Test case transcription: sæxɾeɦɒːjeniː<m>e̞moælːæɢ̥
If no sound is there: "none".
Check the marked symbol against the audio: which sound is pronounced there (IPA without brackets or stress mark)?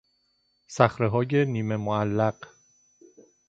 m